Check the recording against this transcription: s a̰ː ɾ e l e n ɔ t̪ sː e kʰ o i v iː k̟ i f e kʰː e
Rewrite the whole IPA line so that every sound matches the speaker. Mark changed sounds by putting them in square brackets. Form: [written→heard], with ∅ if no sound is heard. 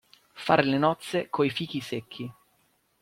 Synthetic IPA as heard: [s→f] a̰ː ɾ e l e n ɔ t̪ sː e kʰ o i [v→f] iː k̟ i [f→s] e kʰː [e→i]